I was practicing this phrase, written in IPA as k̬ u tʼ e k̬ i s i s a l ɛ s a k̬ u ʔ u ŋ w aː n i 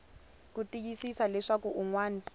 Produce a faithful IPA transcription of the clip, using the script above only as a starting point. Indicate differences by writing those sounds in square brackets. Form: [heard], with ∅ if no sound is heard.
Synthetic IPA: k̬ u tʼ [i] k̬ i s i s a l ɛ [ʂ] a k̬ u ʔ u ŋ w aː n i

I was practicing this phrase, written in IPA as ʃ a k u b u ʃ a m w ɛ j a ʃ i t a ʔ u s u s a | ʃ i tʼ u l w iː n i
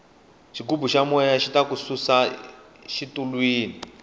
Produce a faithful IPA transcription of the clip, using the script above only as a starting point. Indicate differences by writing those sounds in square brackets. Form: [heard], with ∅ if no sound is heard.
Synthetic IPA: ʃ [i] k u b u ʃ a m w ɛ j a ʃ i t a [k] u s u s a | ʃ i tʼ u l w iː n i

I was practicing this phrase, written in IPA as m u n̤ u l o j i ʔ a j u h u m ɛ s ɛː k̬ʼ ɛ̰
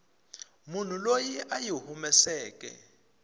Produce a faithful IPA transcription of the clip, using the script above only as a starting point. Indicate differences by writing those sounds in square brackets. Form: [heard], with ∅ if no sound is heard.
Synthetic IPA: m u n̤ u l o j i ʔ a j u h u m ɛ s ɛː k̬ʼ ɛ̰

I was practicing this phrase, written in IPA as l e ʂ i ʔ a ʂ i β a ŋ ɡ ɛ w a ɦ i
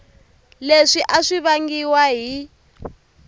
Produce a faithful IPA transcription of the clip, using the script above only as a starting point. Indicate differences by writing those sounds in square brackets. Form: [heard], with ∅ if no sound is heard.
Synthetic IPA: l e ʂ i ʔ a ʂ i β a ŋ ɡ [i] w a ɦ i

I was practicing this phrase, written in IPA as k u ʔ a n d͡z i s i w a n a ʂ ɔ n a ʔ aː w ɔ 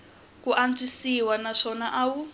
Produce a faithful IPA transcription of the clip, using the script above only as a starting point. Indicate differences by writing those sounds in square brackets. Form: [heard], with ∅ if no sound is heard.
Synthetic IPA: k u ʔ a n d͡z i s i w a n a ʂ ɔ n a ʔ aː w [u]

